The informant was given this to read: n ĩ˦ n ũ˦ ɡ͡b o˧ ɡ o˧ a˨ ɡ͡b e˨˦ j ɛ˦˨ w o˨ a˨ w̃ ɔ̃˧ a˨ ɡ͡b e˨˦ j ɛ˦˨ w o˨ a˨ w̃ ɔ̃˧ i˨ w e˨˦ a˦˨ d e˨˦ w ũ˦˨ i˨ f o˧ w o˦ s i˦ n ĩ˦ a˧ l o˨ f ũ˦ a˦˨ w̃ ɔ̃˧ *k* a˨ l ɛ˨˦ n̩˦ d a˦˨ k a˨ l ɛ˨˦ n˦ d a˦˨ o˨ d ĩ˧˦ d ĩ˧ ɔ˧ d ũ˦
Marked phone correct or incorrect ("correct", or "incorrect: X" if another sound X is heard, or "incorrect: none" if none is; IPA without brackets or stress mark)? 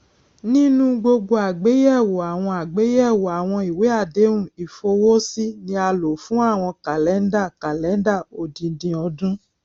correct